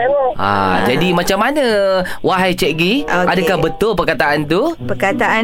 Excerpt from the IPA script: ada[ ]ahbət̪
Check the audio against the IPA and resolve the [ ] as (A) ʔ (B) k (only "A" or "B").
B